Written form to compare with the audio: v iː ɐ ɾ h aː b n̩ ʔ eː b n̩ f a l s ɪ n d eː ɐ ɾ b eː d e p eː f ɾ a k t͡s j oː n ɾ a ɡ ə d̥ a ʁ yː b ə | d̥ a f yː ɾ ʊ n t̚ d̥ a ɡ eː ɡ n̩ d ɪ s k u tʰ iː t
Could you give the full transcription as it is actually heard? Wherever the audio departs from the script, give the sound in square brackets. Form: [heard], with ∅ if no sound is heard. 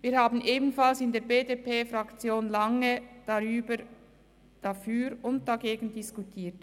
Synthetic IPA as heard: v iː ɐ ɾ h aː b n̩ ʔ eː b n̩ f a l s ɪ n d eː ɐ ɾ b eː d e p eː f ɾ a k t͡s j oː n [l] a [ŋ] ə d̥ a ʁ yː b ə | d̥ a f yː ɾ ʊ n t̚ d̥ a ɡ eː ɡ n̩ d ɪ s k u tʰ iː t